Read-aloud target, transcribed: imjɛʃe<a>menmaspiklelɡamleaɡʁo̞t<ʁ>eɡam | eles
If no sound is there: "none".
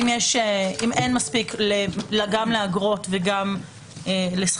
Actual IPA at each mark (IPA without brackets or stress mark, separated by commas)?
i, v